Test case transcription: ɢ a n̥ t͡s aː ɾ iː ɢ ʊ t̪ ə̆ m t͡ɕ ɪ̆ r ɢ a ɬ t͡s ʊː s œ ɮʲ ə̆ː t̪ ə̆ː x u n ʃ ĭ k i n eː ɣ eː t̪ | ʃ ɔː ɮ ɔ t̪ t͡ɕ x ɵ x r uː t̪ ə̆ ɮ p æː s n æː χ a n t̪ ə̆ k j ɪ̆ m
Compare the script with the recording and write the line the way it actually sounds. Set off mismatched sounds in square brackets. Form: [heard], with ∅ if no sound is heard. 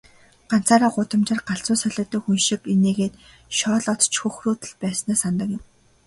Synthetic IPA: ɢ a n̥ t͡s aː ɾ [aː] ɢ ʊ t̪ ə̆ m t͡ɕ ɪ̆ r ɢ a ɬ t͡s ʊː s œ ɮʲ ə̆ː t̪ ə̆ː x u n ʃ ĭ k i n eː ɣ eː t̪ | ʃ ɔː ɮ ɔ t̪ t͡ɕ x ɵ x r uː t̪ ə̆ ɮ p æː s n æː [s] a n t̪ ə̆ k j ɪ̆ m